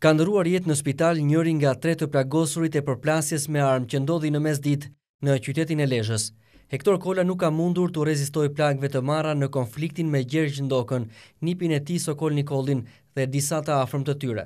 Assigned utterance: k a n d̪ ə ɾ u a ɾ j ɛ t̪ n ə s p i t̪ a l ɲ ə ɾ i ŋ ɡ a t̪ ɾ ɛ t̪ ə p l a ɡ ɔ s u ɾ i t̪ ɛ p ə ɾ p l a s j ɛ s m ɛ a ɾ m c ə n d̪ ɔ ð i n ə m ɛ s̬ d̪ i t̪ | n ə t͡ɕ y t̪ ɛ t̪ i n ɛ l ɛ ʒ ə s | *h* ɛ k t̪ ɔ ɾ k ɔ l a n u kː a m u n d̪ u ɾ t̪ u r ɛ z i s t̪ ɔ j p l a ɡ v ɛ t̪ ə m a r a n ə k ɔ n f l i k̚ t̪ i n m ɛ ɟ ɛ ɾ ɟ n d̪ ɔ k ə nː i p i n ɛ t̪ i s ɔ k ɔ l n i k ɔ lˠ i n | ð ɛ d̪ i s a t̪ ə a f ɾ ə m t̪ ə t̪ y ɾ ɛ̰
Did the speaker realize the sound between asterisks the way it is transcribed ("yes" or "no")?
yes